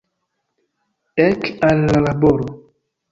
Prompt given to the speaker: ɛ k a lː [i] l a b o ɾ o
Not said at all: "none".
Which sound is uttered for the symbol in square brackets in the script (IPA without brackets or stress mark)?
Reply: a